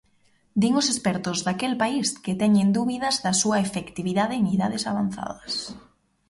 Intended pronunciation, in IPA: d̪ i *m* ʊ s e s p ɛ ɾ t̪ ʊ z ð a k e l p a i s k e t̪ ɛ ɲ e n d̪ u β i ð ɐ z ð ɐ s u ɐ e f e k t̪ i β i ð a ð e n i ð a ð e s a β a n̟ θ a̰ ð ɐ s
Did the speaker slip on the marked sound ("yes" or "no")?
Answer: yes